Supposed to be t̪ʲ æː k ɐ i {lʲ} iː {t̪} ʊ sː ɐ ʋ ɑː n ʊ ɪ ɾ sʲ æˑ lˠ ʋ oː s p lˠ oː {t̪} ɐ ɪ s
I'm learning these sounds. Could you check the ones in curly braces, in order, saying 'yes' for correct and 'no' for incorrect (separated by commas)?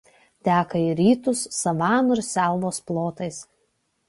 no, yes, yes